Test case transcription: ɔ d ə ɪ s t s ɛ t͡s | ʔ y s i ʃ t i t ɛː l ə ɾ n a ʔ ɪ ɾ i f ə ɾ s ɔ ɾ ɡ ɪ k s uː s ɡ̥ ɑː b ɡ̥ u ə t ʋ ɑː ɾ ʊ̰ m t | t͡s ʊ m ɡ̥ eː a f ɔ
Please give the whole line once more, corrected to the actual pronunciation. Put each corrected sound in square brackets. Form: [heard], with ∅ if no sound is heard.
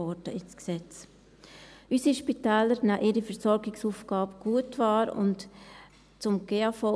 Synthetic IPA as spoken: ɔ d ə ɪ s [k] s ɛ t͡s | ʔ y s i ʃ [p] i t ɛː l ə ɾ n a ʔ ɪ ɾ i f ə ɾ s ɔ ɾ ɡ ɪ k s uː [f] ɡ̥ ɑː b ɡ̥ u ə t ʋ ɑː ɾ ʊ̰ [n] t | t͡s ʊ m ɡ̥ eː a f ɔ